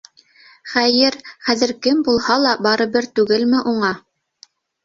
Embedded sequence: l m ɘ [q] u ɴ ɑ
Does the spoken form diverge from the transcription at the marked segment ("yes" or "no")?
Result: yes